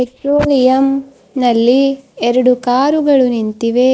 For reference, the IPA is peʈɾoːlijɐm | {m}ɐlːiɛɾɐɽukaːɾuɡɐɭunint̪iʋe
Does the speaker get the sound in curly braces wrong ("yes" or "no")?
yes